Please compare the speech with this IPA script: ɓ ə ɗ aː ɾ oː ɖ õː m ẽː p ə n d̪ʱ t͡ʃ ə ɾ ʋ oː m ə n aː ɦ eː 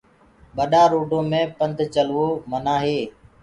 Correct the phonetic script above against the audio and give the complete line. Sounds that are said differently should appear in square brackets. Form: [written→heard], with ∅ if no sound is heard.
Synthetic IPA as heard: ɓ ə ɗ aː ɾ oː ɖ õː m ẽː p ə n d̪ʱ t͡ʃ ə [ɾ→l] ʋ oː m ə n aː ɦ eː